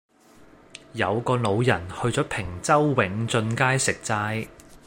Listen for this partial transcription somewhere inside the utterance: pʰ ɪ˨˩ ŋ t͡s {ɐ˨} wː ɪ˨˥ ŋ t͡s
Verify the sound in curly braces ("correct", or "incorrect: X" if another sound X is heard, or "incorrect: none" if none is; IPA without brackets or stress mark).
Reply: incorrect: ɐ˥